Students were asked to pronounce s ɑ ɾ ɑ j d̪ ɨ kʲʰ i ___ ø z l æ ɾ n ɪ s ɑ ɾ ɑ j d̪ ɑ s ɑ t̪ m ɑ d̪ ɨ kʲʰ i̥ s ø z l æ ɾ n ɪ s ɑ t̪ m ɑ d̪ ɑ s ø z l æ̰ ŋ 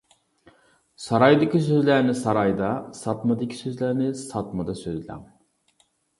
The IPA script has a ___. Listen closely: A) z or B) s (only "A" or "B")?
B